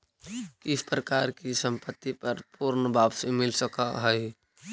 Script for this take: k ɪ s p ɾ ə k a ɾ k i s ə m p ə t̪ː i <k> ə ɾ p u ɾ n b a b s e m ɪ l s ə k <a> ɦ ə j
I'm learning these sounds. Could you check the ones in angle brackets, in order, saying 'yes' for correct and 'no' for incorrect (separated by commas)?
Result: no, yes